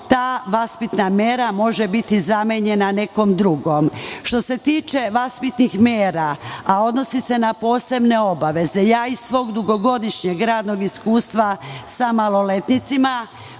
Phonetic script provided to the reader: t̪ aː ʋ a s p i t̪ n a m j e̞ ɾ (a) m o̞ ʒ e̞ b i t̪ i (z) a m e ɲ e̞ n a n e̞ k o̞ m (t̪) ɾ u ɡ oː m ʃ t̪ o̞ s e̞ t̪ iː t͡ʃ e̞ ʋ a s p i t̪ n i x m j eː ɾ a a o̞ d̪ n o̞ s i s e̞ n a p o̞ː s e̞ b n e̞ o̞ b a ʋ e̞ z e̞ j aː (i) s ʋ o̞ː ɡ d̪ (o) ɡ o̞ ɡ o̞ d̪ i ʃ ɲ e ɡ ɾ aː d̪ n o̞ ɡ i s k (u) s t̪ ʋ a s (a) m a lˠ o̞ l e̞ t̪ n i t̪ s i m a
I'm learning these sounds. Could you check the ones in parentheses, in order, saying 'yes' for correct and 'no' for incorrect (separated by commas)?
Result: yes, yes, no, yes, no, no, yes